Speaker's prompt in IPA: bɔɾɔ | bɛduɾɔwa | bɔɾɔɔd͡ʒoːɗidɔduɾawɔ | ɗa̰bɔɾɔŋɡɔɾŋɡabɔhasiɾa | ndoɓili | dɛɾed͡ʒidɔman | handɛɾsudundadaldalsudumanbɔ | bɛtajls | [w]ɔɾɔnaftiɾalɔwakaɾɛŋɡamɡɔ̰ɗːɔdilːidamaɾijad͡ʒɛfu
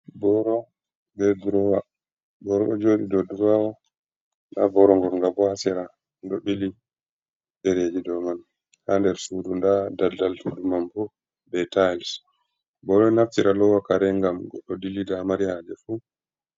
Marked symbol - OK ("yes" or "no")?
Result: no